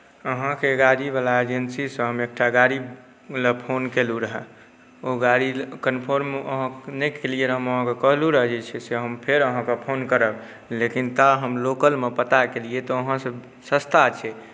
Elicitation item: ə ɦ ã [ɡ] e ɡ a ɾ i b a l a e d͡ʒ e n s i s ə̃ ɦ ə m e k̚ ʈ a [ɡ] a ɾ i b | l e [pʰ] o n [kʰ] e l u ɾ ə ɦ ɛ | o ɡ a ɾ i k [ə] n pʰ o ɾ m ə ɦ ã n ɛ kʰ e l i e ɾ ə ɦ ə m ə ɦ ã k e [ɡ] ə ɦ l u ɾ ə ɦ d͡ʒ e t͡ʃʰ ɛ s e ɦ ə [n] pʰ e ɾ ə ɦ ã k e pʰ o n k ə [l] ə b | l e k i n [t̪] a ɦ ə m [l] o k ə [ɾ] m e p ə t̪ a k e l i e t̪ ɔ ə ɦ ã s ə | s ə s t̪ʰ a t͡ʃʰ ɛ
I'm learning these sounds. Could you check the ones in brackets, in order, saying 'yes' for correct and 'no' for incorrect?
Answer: no, yes, yes, no, yes, no, no, no, yes, yes, no

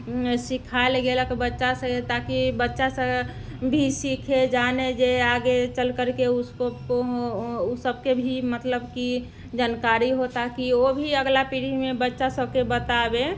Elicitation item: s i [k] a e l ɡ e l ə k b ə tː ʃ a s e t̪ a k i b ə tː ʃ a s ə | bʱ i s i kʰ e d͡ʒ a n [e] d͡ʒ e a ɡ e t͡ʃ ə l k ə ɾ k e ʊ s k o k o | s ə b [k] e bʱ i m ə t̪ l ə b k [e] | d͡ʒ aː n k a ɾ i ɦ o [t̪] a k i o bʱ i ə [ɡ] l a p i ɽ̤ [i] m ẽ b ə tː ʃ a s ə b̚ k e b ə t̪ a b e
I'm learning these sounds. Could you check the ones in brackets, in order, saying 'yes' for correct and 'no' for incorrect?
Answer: no, yes, yes, no, yes, yes, yes

